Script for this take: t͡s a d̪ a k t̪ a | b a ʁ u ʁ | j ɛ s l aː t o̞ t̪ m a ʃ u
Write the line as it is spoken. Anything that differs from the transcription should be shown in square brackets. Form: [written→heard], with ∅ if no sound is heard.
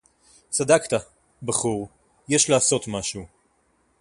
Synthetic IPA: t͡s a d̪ a k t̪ a | b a [ʁ→χ] u ʁ | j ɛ [s→ʃ] l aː [t→s] o̞ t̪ m a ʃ u